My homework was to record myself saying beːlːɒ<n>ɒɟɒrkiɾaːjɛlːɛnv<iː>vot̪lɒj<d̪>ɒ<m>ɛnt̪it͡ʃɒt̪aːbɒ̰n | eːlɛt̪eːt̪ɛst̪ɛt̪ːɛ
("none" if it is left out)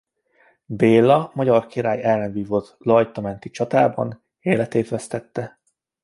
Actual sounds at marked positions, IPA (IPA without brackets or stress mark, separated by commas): m, iː, t̪, m